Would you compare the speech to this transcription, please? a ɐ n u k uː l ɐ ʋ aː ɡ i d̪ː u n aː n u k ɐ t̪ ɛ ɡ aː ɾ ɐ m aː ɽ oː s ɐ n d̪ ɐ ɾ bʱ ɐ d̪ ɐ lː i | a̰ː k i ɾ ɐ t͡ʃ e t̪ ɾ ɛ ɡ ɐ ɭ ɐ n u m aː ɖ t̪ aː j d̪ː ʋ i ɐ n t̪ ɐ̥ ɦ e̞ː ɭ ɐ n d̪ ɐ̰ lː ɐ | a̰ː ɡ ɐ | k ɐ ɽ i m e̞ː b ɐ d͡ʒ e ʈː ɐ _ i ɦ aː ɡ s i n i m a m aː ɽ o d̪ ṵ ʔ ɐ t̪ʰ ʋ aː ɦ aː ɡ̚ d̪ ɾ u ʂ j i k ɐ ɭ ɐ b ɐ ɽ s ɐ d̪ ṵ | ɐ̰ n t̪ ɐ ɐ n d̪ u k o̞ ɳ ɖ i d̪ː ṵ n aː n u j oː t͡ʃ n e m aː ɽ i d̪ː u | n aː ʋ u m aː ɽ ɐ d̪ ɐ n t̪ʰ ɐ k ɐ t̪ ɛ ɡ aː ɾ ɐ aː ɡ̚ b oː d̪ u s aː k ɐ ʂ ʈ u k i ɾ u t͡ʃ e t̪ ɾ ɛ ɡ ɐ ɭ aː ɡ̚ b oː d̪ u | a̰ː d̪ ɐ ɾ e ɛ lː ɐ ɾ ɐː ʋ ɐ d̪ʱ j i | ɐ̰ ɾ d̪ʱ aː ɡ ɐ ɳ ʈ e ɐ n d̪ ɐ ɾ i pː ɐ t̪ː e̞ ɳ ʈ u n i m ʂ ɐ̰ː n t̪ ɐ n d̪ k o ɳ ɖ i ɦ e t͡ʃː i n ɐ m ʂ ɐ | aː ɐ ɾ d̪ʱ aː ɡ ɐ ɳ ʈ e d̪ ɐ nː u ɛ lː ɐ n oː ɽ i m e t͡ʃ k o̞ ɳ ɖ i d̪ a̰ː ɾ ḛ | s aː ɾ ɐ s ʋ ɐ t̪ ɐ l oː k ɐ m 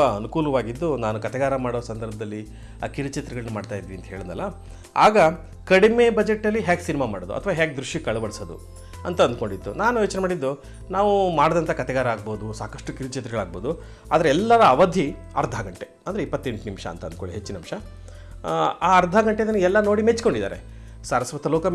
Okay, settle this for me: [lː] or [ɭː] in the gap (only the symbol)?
lː